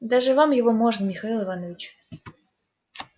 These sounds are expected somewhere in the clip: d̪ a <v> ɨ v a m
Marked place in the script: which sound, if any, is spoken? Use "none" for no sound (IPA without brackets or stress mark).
ʐ